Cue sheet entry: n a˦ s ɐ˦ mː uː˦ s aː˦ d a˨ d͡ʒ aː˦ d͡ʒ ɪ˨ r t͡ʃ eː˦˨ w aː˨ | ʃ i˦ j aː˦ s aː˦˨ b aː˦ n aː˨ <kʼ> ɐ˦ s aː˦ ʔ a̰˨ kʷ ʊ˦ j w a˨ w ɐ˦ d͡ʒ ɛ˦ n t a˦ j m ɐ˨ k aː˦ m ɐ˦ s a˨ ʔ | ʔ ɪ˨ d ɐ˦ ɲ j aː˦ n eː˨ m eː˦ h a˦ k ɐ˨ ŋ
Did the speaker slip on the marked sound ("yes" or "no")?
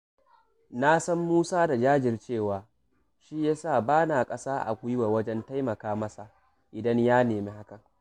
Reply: no